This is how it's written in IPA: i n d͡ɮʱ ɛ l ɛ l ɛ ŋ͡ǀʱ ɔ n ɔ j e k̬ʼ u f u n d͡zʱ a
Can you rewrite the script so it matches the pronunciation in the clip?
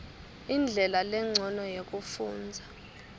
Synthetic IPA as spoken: i n d͡ɮʱ ɛ l a l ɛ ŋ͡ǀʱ ɔ n ɔ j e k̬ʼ u f uː n d͡zʱ a

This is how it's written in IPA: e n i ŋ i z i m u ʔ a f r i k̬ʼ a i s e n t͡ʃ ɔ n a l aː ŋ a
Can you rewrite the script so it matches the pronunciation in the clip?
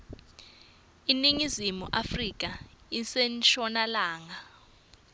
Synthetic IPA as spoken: i n i ŋ i z i m u ʔ a f r i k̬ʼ a i s e n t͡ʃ ɔ n a l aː ŋ a

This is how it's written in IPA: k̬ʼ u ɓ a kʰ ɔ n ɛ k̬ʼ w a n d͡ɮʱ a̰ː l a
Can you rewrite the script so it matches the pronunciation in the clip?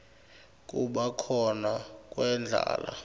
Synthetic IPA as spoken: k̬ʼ u ɓ a kʰ ɔ n a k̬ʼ w ɛ n d͡ɮʱ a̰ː l a

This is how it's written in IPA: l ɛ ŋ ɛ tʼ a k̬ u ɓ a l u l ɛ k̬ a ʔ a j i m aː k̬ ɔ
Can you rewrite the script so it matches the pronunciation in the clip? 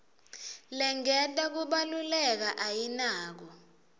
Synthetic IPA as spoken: l ɛ ŋ ɛ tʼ a k̬ u ɓ a l u l ɛ k̬ a ʔ a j i n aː k̬ ɔ

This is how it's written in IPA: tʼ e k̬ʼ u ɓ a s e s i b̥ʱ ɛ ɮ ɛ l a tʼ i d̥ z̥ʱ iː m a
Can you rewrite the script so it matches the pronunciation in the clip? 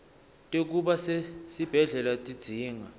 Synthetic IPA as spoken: tʼ e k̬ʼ u ɓ a s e s i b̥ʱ ɛ ɮ ɛ l a tʼ i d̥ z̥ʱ iː ŋ a

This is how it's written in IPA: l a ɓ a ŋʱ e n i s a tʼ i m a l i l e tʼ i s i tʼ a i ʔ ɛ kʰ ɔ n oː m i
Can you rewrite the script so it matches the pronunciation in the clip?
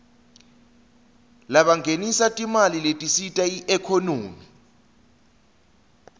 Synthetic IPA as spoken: l a ɓ a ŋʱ e n i s a tʼ i m a l i l e tʼ i s i tʼ a i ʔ ɛ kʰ ɔ n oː m i

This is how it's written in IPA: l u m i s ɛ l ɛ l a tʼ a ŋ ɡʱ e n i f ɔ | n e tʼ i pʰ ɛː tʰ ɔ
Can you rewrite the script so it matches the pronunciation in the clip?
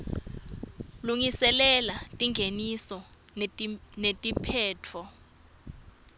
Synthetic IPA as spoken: l u ŋ i s ɛ l ɛ l a tʼ i ŋ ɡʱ e n i s ɔ | n e tʼ i pʰ ɛː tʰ ɔ

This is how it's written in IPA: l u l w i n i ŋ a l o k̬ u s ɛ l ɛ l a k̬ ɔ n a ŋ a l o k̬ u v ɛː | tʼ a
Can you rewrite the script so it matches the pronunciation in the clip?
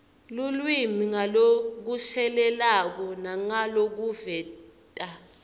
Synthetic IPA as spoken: l u l w i m i ŋ a l o k̬ u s ɛ l ɛ l a k̬ ɔ n a ŋ a l o k̬ u v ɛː | tʼ a

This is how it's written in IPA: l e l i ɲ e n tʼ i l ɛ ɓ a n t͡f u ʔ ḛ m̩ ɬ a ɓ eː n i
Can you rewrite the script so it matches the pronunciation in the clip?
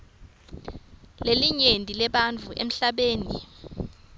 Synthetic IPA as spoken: l e l i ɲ e n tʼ i l ɛ ɓ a n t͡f u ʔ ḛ m̩ ɬ a ɓ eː n i

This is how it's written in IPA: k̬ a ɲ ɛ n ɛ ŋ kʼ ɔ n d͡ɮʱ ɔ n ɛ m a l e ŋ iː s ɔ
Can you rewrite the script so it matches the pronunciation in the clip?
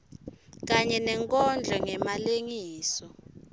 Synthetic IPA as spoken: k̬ a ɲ ɛ n ɛ ŋ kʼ ɔ n d͡ɮʱ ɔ ŋ ɛ m a l e ŋ iː s ɔ

